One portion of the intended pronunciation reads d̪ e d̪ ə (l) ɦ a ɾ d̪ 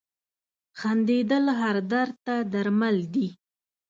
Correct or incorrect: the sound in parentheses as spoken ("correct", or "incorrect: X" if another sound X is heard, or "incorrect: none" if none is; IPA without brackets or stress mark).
correct